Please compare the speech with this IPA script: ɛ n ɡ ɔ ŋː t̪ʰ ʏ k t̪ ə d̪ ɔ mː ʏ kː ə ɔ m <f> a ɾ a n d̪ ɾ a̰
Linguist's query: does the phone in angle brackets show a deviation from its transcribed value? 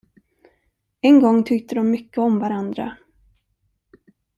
yes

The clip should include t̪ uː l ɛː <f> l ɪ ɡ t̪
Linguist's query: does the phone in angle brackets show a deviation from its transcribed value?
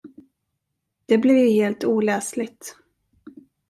yes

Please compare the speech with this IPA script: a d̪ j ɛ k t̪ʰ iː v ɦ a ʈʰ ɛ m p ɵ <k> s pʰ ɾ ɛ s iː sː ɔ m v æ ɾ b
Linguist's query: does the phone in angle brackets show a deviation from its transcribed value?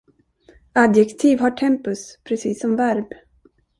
yes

